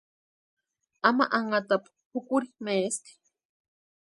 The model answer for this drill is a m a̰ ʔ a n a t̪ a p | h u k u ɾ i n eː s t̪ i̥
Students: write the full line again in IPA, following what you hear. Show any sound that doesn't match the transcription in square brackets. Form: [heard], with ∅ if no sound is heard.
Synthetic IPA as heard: a m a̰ ʔ a [ŋ] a t̪ a p | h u k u ɾ i [m] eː s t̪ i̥